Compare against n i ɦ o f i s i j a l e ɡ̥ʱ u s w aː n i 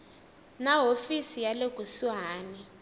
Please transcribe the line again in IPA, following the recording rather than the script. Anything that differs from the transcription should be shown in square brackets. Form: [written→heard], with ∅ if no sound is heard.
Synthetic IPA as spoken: n [i→a] ɦ o f i s i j a l e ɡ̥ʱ u s w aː n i